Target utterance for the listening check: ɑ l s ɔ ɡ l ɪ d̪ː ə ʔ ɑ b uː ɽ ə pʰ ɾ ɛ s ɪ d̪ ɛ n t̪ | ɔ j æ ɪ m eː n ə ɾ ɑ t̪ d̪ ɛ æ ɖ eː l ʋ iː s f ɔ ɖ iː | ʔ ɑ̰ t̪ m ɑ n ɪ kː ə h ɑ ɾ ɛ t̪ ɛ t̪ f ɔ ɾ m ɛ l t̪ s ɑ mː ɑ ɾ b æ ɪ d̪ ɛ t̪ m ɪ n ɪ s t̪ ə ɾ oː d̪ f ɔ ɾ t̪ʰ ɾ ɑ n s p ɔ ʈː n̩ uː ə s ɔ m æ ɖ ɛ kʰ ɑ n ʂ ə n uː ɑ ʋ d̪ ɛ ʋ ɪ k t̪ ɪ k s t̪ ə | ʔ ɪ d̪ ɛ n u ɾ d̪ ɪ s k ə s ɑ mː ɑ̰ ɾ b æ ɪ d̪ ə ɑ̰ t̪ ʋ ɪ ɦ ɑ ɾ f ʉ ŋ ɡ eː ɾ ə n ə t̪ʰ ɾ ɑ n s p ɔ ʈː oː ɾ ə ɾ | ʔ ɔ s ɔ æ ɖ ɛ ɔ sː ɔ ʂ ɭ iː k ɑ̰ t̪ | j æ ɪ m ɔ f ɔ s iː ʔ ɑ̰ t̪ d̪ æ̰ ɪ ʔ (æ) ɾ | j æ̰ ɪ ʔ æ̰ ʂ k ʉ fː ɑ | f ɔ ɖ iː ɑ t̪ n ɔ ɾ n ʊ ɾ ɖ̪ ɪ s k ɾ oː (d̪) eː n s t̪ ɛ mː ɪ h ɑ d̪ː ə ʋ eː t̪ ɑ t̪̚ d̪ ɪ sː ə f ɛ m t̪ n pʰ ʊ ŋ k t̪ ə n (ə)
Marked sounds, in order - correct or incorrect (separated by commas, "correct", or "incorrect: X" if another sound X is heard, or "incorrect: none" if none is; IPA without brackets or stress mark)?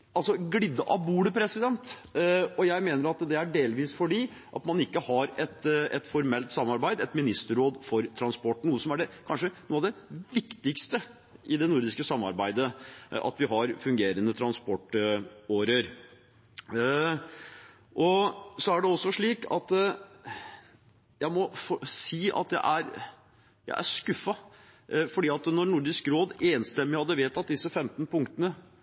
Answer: correct, correct, correct